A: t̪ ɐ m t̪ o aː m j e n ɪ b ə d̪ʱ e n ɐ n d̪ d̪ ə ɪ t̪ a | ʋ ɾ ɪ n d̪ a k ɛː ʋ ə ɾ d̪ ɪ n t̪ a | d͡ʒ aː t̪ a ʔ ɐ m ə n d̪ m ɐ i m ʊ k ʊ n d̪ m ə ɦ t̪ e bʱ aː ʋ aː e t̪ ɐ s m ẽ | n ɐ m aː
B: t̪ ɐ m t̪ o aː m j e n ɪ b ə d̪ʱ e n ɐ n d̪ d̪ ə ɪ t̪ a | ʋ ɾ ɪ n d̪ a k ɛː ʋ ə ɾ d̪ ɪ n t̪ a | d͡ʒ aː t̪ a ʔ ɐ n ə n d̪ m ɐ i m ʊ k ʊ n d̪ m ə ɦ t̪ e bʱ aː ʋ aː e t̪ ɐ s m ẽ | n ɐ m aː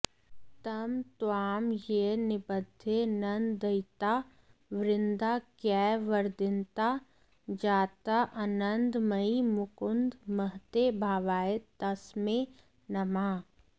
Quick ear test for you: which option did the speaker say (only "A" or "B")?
B